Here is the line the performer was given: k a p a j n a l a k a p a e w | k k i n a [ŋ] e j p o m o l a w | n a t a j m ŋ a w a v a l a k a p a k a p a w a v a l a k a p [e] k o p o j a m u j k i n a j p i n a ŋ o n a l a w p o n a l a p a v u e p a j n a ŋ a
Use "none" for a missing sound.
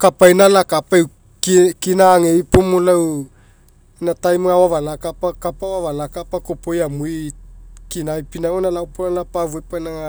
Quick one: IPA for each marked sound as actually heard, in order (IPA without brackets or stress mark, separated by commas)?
ŋ, a